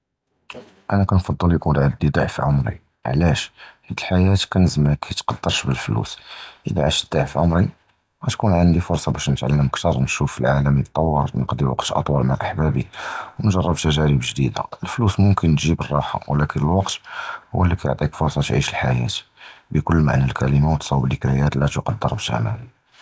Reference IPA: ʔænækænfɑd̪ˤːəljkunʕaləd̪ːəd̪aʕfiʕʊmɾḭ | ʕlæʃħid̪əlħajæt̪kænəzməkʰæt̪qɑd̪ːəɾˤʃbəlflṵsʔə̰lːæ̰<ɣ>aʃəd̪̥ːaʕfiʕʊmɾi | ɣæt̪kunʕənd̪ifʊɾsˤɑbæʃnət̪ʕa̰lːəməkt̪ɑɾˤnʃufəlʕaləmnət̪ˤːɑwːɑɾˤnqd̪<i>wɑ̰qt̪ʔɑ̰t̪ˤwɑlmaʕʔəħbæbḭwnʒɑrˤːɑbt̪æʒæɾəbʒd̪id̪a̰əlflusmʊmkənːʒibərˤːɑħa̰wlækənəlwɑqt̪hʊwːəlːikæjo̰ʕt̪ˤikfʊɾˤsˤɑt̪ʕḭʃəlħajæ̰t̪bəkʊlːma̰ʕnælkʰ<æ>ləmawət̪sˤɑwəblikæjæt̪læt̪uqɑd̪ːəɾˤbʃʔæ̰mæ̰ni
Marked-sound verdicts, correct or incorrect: incorrect, correct, correct

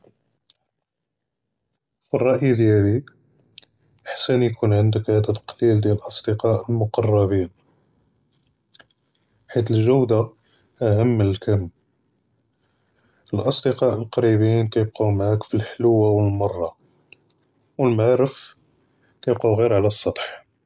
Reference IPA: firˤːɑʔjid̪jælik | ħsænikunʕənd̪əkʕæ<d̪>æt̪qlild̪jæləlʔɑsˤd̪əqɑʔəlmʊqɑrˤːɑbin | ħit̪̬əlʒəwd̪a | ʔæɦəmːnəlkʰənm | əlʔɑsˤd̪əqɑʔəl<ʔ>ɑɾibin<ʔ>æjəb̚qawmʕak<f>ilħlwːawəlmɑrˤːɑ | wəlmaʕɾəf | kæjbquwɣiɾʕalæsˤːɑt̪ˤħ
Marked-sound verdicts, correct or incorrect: correct, incorrect, incorrect, correct

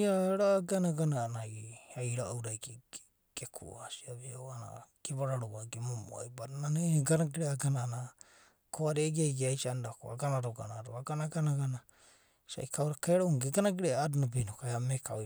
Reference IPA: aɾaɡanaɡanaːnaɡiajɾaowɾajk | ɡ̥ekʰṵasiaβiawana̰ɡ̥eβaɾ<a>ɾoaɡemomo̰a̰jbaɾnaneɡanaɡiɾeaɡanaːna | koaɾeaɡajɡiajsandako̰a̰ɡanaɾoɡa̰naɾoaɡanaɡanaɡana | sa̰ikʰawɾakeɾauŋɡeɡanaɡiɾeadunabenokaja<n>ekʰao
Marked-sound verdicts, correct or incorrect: correct, incorrect

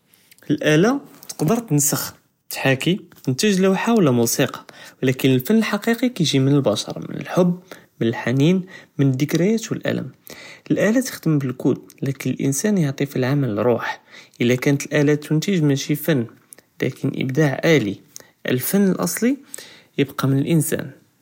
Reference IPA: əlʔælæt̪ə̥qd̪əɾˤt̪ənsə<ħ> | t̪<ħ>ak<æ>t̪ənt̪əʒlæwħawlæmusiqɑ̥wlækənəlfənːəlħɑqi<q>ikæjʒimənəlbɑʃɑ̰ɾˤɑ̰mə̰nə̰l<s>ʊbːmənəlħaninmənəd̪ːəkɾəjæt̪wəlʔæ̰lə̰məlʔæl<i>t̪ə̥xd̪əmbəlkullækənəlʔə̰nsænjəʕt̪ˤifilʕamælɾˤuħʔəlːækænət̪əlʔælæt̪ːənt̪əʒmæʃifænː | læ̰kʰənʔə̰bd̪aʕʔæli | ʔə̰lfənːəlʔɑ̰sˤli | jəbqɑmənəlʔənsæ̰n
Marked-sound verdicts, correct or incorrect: incorrect, correct, incorrect, correct, incorrect, incorrect

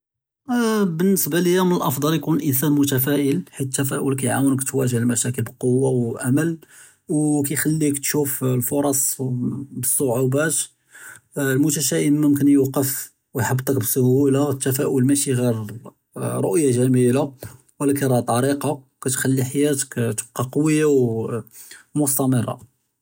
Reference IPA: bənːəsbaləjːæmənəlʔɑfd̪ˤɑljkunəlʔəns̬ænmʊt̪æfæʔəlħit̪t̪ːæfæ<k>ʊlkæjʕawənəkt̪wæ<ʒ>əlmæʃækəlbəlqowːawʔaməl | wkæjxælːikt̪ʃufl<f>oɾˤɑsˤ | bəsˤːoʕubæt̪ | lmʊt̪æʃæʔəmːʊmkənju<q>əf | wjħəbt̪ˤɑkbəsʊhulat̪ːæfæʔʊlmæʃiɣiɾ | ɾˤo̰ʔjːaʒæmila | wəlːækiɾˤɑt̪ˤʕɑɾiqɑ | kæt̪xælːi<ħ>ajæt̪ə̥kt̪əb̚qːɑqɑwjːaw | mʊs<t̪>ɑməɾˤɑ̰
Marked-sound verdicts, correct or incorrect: incorrect, correct, correct, correct, correct, correct

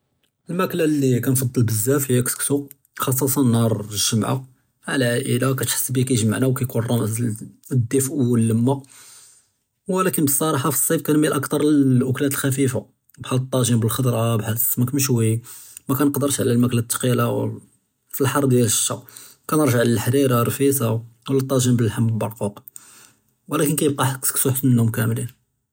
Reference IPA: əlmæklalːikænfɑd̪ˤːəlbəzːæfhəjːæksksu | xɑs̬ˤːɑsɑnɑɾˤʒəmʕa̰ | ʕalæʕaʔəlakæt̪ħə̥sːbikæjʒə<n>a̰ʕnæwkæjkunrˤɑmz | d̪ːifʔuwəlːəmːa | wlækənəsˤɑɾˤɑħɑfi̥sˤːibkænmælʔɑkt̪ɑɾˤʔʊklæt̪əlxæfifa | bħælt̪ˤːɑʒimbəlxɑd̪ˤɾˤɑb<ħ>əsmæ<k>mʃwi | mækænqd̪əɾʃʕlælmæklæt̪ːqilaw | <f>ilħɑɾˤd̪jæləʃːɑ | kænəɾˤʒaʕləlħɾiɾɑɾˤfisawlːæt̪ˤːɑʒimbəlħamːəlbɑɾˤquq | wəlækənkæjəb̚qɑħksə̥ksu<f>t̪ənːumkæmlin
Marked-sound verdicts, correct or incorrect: incorrect, correct, correct, correct, incorrect

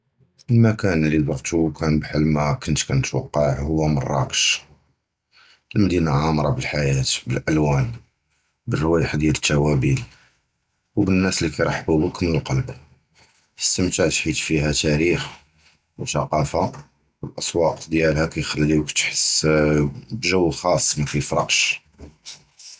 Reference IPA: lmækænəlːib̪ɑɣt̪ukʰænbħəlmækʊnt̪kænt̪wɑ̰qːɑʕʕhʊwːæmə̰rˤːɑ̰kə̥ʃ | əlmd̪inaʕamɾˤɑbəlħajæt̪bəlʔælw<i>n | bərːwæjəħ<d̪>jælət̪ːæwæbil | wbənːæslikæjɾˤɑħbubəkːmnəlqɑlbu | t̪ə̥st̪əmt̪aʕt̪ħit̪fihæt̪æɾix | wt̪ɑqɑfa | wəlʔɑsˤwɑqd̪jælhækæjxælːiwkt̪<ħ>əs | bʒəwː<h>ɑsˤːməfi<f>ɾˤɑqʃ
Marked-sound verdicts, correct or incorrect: incorrect, correct, correct, incorrect, correct

